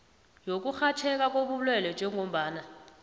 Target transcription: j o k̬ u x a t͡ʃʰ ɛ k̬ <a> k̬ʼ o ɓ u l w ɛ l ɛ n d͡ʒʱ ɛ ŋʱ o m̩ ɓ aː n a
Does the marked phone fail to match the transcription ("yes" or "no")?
no